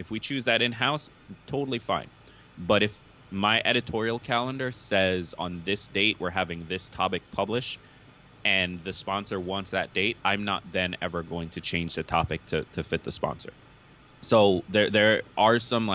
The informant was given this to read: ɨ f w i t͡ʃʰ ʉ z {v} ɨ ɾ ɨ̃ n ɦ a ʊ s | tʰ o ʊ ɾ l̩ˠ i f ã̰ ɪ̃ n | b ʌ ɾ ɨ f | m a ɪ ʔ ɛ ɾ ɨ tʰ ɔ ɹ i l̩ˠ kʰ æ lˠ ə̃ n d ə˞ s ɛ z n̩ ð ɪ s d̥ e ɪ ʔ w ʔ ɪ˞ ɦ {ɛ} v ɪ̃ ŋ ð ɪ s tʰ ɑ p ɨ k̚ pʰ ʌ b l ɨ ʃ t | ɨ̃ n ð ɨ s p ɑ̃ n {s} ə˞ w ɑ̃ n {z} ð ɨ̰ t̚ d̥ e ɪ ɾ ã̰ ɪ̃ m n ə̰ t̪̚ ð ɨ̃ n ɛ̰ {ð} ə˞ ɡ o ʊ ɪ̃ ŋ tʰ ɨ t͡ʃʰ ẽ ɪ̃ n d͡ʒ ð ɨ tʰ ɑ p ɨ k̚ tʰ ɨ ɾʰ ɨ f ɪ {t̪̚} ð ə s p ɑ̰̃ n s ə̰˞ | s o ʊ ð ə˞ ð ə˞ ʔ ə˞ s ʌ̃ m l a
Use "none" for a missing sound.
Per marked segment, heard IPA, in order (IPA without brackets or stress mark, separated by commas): ð, æ, s, s, v, t̪̚